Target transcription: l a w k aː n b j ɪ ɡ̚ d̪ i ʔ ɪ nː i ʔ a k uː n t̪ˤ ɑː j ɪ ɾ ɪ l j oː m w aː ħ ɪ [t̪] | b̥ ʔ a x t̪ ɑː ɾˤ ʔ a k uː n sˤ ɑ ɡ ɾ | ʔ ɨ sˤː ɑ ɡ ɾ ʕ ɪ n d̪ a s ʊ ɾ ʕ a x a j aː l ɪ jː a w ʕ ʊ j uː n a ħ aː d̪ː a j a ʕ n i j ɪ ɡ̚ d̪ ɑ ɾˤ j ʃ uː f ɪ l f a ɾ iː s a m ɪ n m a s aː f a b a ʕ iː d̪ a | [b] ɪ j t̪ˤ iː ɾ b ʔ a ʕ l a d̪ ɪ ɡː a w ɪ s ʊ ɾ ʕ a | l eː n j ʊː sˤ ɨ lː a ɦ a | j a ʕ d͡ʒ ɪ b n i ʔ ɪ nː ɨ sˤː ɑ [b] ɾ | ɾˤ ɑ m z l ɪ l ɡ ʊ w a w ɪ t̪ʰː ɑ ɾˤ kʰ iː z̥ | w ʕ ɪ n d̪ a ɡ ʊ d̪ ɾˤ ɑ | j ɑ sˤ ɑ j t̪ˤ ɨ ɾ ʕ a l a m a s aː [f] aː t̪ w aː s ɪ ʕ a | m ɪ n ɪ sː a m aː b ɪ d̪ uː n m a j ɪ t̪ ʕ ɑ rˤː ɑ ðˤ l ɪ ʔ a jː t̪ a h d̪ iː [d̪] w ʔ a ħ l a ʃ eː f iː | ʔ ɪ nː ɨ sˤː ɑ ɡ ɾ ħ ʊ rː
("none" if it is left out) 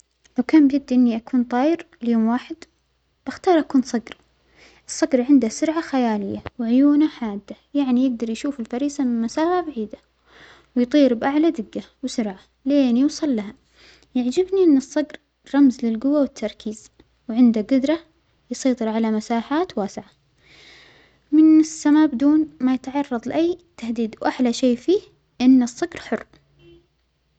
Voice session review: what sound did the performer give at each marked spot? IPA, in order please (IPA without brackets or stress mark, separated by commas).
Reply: d̪, w, ɡ, ħ, d̪